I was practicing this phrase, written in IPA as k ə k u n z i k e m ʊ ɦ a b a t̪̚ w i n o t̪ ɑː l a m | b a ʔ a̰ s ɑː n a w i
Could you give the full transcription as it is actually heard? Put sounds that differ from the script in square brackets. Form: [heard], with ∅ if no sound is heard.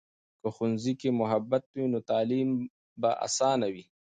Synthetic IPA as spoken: k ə [x] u n z i k e m ʊ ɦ a b a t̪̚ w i n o t̪ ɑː l [i] m | b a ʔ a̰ s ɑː n a w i

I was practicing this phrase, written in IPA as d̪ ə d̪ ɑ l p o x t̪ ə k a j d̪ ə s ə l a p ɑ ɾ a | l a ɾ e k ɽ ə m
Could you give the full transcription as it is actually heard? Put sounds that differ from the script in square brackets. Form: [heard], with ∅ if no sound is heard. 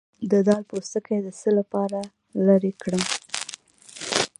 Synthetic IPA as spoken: d̪ ə d̪ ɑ l p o [s] t̪ ə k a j d̪ ə s ə l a p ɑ ɾ a | l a ɾ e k ɽ ə m

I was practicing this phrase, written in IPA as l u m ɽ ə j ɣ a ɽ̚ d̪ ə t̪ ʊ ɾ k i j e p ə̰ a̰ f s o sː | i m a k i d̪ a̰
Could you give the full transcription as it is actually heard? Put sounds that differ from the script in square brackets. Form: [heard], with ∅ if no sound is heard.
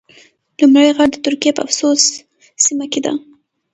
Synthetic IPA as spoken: l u m ɽ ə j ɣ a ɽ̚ d̪ ə t̪ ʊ ɾ k i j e p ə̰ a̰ f s o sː | i m a k [e] d̪ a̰

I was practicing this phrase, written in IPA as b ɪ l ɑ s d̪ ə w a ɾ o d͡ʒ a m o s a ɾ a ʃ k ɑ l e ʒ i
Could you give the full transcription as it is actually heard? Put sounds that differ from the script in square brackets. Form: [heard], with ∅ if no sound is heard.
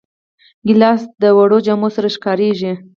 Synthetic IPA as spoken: [ɡ] ɪ l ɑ s d̪ ə w a [ɽ] o d͡ʒ a m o s a ɾ a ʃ k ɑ [ɾ] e ʒ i

